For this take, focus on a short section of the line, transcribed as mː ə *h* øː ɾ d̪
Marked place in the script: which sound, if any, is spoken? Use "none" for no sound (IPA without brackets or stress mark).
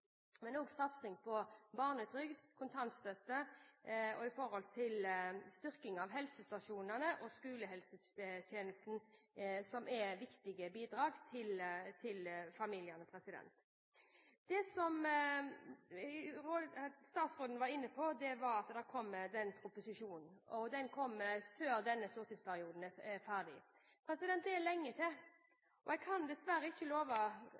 f